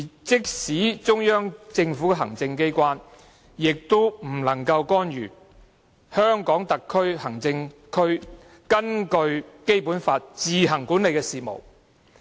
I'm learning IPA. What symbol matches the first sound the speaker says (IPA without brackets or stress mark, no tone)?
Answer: t͡s